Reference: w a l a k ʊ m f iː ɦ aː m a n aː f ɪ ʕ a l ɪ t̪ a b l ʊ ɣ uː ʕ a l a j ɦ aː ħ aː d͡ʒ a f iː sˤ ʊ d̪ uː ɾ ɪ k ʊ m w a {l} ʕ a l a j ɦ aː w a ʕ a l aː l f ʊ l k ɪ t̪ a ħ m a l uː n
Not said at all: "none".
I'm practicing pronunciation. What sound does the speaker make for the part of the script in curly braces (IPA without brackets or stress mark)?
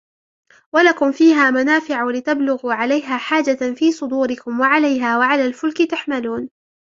none